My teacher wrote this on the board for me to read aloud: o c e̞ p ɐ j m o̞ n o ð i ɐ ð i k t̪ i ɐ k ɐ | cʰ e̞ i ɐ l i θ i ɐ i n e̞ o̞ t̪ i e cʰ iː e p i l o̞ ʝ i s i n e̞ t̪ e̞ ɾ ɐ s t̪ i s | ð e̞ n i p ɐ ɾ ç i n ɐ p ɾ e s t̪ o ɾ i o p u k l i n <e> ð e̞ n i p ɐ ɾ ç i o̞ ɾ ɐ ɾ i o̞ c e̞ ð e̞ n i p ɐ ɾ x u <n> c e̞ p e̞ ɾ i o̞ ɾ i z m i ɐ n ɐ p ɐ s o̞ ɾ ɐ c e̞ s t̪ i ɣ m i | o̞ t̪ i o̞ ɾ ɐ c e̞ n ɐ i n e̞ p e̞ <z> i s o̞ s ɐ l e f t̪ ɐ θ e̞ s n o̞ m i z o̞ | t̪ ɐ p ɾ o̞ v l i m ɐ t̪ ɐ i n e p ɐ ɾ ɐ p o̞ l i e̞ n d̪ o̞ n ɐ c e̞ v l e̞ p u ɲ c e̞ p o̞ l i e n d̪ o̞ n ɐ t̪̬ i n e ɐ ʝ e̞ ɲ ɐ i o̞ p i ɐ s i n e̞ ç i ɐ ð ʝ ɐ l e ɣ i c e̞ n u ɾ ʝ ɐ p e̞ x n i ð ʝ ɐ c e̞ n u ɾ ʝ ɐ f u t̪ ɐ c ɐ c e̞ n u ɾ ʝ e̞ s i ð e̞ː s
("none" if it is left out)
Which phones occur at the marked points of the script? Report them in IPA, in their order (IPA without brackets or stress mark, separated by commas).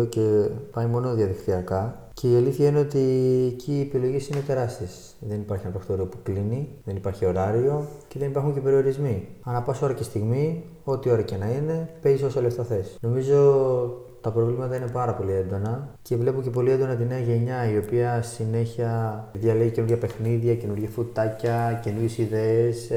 i, ɲ, z